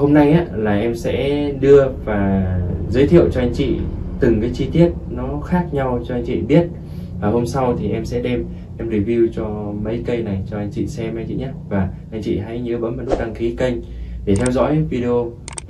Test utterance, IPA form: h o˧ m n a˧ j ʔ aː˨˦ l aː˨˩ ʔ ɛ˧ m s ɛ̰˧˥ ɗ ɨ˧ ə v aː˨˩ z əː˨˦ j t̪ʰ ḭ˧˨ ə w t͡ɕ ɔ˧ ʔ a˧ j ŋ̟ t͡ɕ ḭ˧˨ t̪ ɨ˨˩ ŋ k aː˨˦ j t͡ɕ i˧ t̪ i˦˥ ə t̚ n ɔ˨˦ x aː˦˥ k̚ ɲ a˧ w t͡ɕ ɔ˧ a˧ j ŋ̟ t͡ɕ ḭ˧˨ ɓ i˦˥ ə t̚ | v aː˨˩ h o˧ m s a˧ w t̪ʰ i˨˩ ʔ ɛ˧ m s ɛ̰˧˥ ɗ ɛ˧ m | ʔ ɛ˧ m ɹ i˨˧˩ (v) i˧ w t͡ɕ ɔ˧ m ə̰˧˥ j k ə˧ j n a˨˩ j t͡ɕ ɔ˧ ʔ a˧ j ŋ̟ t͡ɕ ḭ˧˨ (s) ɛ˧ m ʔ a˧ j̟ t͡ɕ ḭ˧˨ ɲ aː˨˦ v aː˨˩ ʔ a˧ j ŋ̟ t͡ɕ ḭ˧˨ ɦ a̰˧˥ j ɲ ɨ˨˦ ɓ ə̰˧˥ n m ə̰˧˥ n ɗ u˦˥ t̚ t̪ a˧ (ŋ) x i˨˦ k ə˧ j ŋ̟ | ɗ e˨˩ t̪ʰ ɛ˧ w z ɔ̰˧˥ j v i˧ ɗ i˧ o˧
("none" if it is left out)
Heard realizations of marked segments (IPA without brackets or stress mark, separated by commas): v, s, ŋ